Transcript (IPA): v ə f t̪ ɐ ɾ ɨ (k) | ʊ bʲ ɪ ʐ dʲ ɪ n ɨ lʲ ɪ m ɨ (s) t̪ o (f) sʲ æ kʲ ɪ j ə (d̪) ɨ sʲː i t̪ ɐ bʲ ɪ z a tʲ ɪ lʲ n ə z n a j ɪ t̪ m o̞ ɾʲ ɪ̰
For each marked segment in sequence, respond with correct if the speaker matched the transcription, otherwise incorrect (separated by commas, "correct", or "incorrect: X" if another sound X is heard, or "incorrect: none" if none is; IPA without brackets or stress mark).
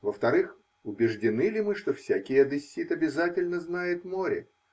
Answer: incorrect: x, incorrect: ʂ, correct, correct